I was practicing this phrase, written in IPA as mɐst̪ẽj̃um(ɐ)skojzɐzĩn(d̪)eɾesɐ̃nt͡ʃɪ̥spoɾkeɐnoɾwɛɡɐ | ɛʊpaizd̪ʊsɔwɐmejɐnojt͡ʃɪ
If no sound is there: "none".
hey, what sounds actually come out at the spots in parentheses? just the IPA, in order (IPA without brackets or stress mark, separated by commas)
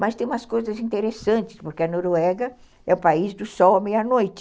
ɐ, t̪